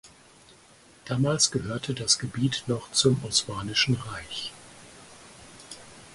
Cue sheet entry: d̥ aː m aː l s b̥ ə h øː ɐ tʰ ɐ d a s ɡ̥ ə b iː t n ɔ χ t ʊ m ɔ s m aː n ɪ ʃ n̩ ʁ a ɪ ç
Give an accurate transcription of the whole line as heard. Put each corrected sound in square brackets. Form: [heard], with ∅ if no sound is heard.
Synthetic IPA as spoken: d̥ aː m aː l s [ɡ̥] ə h øː ɐ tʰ [ə] d a s ɡ̥ ə b iː t n ɔ χ [t͡s] ʊ m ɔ s m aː n ɪ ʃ n̩ ʁ a ɪ ç